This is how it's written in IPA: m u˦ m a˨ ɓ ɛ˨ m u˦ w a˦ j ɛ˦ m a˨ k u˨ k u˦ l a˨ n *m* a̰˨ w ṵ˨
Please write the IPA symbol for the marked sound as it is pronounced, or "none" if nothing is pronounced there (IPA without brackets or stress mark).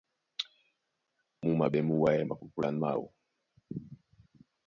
m